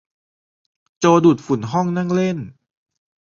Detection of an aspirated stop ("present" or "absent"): absent